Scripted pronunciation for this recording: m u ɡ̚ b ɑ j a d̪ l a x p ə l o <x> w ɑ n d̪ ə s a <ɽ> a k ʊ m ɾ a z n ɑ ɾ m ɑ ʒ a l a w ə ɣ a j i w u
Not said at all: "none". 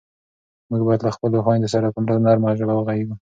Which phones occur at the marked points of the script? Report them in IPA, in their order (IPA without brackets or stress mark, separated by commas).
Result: x, ɾ